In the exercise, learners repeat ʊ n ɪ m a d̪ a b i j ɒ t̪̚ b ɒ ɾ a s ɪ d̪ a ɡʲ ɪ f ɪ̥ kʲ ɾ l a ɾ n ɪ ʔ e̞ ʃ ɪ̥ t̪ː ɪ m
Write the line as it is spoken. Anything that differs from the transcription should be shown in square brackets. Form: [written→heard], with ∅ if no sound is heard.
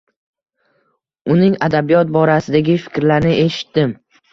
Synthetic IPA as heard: ʊ n ɪ [m→ŋ] a d̪ a b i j ɒ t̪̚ b ɒ ɾ a s ɪ d̪ a ɡʲ ɪ f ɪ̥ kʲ ɾ l a ɾ n ɪ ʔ e̞ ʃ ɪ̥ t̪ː ɪ m